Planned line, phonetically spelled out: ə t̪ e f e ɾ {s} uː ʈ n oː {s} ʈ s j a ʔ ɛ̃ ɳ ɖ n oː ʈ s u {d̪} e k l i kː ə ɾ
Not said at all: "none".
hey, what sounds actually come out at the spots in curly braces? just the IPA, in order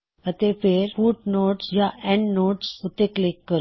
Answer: f, none, t̪

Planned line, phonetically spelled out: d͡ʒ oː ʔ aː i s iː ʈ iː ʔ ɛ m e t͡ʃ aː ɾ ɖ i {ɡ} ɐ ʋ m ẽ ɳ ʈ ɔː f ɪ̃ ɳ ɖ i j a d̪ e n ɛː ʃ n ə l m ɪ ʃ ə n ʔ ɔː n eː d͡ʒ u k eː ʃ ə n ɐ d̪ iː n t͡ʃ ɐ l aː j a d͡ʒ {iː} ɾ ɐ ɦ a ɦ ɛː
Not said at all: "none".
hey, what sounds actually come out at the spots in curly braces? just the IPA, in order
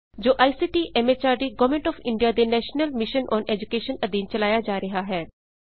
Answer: ɡ, aː

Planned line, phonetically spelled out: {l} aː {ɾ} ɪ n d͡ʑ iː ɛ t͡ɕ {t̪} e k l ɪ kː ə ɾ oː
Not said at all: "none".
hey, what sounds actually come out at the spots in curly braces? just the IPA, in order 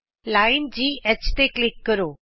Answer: l, none, t̪

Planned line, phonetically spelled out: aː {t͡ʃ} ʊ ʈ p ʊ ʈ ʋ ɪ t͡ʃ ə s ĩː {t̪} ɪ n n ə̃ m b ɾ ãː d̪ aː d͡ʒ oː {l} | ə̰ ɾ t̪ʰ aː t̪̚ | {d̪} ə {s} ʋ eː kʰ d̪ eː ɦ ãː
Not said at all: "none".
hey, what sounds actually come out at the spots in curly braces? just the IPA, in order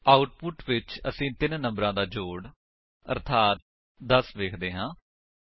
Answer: none, t̪, ɽ, d̪, s

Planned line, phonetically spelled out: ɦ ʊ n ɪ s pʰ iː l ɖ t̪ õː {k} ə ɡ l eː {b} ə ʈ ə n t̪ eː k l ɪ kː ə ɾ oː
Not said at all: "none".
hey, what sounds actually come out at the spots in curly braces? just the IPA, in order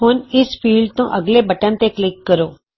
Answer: ʔ, b

